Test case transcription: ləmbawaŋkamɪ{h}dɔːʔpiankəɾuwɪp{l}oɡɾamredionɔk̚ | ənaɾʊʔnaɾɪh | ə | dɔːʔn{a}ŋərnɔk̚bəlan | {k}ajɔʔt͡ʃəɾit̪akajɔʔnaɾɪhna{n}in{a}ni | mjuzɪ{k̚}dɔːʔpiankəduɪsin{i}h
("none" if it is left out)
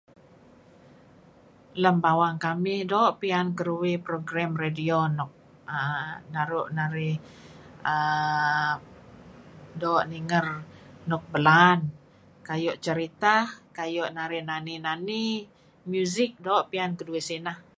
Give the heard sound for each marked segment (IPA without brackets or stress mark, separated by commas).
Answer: h, ɾ, i, k, n, a, k̚, a